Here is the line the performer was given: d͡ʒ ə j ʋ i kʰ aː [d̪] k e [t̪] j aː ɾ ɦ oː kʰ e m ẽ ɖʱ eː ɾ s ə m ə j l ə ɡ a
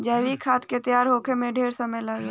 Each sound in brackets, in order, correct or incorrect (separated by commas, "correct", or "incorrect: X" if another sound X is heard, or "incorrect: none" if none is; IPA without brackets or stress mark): incorrect: t̪, correct